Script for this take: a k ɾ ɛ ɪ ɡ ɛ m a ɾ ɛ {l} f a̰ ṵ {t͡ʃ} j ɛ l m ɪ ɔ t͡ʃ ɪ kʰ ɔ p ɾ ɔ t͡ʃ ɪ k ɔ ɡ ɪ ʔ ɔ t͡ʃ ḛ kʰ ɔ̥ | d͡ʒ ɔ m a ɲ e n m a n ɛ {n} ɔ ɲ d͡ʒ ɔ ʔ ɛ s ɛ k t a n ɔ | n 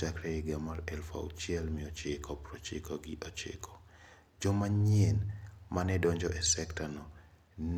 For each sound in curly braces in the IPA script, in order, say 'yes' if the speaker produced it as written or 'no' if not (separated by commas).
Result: yes, yes, no